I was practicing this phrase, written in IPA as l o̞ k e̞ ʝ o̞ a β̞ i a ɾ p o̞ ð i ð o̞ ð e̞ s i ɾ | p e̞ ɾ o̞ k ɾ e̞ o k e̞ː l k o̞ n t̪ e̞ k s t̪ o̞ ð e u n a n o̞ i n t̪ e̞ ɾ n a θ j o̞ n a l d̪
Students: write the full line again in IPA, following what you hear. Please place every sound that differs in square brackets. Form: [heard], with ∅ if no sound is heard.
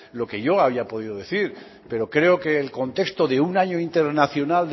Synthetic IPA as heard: l o̞ k e̞ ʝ o̞ a β̞ i a [∅] p o̞ ð i ð o̞ ð e̞ [θ] i ɾ | p e̞ ɾ o̞ k ɾ e̞ o k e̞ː l k o̞ n t̪ e̞ k s t̪ o̞ ð e u n a [ɲ] o̞ i n t̪ e̞ ɾ n a θ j o̞ n a l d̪